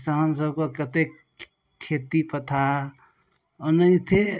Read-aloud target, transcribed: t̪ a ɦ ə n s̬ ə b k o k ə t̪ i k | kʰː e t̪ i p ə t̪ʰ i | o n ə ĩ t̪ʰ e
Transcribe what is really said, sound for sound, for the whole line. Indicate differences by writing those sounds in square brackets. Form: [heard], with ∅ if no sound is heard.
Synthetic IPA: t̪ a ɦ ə n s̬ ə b k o k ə t̪ [e] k | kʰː e t̪ i p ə t̪ʰ [a] | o n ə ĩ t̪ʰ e